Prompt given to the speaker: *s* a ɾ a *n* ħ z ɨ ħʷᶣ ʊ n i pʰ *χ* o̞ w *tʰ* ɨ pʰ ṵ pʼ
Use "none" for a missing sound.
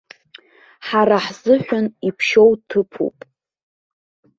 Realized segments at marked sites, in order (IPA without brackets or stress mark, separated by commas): ħ, none, ʃ, tʰ